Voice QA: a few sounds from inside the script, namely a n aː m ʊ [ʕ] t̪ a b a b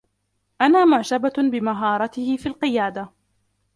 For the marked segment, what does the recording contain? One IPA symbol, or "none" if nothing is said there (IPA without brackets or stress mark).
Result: ʕ